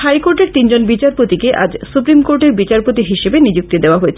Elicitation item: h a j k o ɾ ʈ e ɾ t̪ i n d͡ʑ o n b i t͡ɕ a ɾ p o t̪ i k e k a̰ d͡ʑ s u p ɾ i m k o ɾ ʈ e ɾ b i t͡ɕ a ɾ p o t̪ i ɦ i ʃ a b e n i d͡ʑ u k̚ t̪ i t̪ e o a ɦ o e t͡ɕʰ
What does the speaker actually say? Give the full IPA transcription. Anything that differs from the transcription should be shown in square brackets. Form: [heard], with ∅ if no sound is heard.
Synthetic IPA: h a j k o ɾ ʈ e ɾ t̪ i n d͡ʑ o n b i t͡ɕ a ɾ p o t̪ i k e [ʔ] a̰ d͡ʑ s u p ɾ i m k o ɾ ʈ e ɾ b i t͡ɕ a ɾ p o t̪ i ɦ i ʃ [e] b e n i d͡ʑ u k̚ t̪ i [d̪] e o a ɦ o e t͡ɕʰ